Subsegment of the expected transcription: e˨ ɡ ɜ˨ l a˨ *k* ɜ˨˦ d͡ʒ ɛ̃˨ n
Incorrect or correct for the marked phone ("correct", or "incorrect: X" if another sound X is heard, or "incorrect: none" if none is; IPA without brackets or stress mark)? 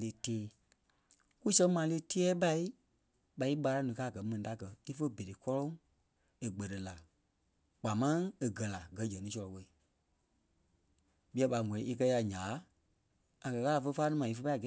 incorrect: ɡ